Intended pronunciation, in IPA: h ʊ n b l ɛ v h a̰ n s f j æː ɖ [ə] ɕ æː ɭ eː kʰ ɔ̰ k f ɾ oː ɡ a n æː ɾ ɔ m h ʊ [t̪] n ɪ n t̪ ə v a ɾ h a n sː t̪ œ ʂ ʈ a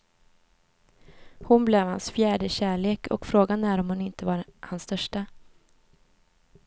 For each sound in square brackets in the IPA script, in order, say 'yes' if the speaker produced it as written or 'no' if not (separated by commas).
yes, no